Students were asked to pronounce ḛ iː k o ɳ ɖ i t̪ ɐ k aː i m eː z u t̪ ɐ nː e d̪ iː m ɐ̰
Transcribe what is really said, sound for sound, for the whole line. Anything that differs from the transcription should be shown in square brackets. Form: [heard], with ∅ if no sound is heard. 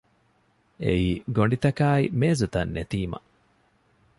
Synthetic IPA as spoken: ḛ iː [ɡ] o ɳ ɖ i t̪ ɐ k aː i m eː z u t̪ ɐ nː e [t̪] iː m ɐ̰